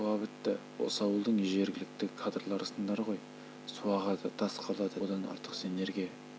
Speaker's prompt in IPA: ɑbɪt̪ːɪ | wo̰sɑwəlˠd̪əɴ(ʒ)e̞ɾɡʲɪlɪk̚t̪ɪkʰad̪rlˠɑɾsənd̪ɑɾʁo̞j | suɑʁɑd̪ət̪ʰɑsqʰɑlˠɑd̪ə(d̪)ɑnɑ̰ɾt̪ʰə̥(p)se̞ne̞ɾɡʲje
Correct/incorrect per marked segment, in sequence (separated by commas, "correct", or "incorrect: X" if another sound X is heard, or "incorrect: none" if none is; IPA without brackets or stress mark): correct, correct, incorrect: q